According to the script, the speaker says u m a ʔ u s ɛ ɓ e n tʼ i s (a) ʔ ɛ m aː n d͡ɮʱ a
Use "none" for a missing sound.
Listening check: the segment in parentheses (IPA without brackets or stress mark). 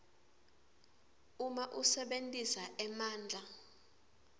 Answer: a